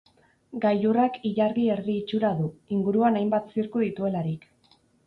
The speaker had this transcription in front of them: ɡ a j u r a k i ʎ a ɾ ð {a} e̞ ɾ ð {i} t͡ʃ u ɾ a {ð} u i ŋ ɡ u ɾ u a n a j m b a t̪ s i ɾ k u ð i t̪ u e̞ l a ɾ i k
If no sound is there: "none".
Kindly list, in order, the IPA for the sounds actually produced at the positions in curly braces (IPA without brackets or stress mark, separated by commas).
i, iː, ð